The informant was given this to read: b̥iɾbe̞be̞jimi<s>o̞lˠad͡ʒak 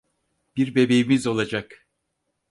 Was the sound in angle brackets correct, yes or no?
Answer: no